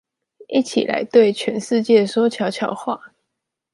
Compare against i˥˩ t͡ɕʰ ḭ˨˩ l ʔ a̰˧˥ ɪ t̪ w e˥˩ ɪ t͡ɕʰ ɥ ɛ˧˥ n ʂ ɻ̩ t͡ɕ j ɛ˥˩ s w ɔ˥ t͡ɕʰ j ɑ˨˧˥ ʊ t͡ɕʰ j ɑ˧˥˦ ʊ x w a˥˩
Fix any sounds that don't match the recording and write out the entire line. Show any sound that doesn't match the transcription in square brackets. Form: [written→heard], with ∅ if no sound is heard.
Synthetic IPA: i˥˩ t͡ɕʰ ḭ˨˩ l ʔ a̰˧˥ ɪ t̪ w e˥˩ ɪ t͡ɕʰ ɥ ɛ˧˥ n ʂ ɻ̩ t͡ɕ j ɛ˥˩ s w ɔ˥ t͡ɕʰ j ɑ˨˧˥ ʊ t͡ɕʰ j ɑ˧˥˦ ʊ x w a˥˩